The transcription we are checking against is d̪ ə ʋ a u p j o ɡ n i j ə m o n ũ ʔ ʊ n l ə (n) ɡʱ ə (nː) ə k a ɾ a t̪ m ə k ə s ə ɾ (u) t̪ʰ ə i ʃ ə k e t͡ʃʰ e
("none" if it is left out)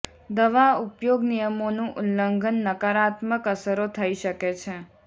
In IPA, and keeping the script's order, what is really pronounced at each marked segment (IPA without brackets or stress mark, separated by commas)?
ŋ, nː, o